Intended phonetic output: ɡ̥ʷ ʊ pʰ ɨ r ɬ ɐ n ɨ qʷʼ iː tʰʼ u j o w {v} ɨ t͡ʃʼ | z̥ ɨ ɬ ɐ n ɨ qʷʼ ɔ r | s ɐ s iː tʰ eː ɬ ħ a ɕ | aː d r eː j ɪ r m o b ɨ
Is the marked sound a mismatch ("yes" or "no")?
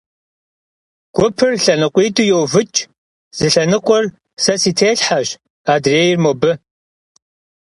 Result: no